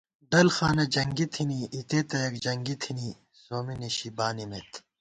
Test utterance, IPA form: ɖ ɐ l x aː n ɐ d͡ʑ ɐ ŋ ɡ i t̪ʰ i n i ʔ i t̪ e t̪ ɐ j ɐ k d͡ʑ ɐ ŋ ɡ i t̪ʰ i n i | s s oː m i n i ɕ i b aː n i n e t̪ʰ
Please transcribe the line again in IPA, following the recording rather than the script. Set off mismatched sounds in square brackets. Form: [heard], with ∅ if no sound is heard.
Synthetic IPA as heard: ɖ ɐ l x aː n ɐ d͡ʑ ɐ ŋ ɡ i t̪ʰ i n i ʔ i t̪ e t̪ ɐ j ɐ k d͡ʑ ɐ ŋ ɡ i t̪ʰ i n i | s s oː m i n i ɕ i b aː n i [m] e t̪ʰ